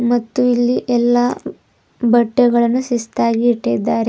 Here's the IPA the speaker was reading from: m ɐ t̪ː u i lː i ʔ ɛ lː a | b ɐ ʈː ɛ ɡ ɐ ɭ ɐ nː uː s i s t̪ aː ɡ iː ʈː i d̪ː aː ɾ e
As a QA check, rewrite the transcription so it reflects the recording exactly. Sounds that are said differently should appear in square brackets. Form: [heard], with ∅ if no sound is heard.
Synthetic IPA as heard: m ɐ t̪ː u i lː i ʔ ɛ lː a | b ɐ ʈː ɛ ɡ ɐ ɭ ɐ nː [u] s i s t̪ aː ɡ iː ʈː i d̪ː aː ɾ e